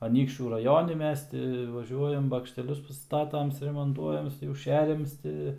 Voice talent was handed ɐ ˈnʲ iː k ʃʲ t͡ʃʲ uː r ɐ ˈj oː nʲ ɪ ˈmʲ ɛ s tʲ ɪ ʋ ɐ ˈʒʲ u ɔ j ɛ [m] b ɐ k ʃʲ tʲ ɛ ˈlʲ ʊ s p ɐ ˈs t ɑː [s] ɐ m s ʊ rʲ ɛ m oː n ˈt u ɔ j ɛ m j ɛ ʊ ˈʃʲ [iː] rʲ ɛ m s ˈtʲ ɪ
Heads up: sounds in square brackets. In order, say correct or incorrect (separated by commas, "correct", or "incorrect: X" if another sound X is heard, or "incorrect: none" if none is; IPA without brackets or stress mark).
correct, incorrect: t, incorrect: æː